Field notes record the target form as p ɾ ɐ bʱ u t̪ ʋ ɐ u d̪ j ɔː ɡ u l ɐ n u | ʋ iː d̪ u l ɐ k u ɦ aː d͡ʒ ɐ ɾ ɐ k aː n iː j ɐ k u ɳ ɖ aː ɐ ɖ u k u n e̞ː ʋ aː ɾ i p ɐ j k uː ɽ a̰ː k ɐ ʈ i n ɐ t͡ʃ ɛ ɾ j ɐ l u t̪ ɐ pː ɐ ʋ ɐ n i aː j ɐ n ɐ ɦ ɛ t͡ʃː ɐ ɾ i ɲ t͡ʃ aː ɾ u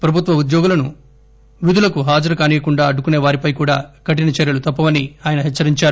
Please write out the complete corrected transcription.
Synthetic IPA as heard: p ɾ ɐ bʱ u t̪ ʋ ɐ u d̪ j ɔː ɡ u l ɐ n u | ʋ i d̪ u l ɐ k u ɦ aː d͡ʒ ɐ ɾ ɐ k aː n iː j ɐ k u ɳ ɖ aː ɐ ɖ u k u n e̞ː ʋ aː ɾ i p ɐ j k uː ɽ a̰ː k ɐ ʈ i n ɐ t͡ʃ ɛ ɾ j ɐ l u t̪ ɐ pː ɐ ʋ ɐ n i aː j ɐ n ɐ ɦ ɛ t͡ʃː ɐ ɾ i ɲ t͡ʃ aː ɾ u